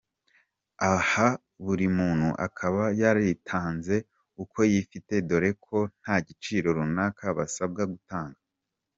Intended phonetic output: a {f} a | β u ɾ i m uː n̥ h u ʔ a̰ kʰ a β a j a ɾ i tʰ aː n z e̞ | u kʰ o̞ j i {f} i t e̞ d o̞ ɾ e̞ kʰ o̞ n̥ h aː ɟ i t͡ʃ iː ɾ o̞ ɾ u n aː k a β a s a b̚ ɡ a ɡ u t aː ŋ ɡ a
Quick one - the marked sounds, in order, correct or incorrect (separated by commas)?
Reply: incorrect, correct